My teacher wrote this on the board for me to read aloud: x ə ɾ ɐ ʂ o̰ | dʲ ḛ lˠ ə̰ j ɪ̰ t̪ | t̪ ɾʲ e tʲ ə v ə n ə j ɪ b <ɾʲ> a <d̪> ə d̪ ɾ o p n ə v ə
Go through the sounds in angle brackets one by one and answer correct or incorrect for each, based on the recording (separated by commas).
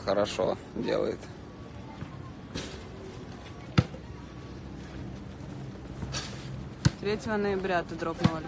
correct, incorrect